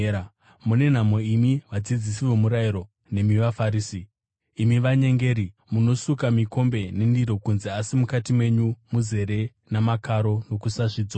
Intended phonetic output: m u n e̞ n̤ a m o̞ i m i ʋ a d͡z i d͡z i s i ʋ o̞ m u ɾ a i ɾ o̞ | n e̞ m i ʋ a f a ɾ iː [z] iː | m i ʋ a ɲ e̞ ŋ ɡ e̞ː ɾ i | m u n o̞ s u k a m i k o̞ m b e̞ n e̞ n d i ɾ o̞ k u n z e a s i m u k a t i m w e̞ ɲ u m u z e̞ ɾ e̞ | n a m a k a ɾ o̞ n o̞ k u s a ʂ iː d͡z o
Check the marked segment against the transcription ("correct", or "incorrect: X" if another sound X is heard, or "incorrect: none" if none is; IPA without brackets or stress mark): incorrect: s